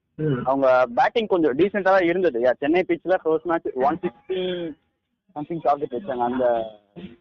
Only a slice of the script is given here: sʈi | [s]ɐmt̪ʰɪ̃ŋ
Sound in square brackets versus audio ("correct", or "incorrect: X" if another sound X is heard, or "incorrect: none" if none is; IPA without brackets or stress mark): correct